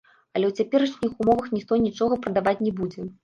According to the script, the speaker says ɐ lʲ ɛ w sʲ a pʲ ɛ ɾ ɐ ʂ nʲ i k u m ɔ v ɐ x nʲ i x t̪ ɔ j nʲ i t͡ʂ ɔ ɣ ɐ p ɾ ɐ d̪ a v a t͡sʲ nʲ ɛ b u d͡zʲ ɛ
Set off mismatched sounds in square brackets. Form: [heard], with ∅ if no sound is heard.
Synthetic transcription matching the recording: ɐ lʲ ɛ w [t͡sʲ] a pʲ ɛ ɾ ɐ ʂ nʲ i [x] u m ɔ v ɐ x nʲ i x t̪ ɔ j nʲ i t͡ʂ ɔ ɣ ɐ p ɾ ɐ d̪ a v a t͡sʲ nʲ ɛ b u d͡zʲ ɛ